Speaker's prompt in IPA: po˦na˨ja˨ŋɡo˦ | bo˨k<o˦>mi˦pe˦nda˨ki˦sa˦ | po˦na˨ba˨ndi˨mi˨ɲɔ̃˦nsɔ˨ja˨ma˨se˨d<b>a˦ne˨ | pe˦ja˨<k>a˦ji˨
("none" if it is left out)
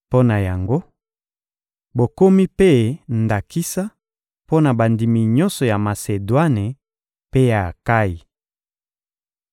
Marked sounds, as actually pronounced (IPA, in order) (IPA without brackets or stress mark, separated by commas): o˦, w, k